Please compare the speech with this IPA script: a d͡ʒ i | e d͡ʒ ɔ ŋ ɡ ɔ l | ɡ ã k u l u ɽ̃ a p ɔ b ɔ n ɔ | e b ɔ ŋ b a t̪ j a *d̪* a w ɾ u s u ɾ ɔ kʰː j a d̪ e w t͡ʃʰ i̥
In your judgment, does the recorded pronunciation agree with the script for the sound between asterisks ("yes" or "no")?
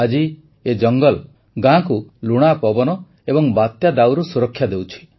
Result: yes